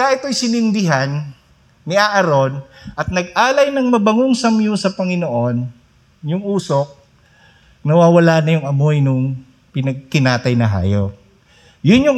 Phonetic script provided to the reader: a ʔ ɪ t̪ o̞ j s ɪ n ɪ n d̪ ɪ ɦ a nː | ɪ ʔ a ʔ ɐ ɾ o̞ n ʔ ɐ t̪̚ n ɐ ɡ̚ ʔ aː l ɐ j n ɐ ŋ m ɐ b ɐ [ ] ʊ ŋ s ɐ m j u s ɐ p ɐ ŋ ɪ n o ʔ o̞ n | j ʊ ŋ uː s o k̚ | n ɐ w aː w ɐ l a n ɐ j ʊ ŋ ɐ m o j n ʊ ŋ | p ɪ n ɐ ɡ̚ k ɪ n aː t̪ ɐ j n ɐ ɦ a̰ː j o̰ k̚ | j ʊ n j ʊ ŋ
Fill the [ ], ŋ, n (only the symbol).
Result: ŋ